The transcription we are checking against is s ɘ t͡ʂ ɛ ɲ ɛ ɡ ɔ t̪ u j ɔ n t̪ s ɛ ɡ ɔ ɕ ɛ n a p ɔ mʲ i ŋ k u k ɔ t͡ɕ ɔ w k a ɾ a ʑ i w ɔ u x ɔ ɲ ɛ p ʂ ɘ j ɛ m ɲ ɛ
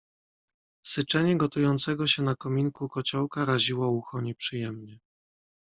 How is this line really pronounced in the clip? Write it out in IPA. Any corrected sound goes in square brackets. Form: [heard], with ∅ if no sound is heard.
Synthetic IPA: s ɘ t͡ʂ ɛ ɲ ɛ ɡ ɔ t̪ u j ɔ n t̪ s ɛ ɡ ɔ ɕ ɛ n a [k] ɔ mʲ i ŋ k u k ɔ t͡ɕ ɔ w k a ɾ a ʑ i w ɔ u x ɔ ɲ ɛ p ʂ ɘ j ɛ m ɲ ɛ